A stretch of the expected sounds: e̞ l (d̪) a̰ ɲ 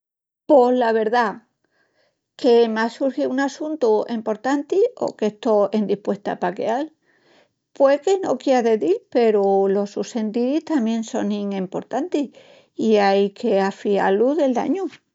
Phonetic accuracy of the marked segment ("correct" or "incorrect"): correct